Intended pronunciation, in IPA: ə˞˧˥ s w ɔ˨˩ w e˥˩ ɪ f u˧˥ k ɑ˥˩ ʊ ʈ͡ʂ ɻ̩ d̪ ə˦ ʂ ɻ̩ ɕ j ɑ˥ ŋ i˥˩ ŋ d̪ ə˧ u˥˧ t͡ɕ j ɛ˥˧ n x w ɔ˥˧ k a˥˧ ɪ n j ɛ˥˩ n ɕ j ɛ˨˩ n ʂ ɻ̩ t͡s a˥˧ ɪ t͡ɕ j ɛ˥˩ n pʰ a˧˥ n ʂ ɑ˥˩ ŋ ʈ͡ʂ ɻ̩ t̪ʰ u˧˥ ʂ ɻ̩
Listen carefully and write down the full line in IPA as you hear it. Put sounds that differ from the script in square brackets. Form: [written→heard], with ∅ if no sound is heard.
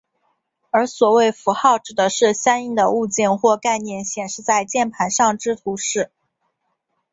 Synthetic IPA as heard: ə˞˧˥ s w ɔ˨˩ w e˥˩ ɪ f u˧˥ [k→x] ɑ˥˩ ʊ ʈ͡ʂ ɻ̩ d̪ ə˦ ʂ ɻ̩ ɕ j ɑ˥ ŋ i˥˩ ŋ d̪ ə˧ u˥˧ t͡ɕ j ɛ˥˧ n x w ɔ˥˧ k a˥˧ ɪ n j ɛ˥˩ n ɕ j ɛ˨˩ n ʂ ɻ̩ t͡s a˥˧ ɪ t͡ɕ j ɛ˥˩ n pʰ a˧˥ n ʂ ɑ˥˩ ŋ ʈ͡ʂ ɻ̩ t̪ʰ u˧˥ ʂ ɻ̩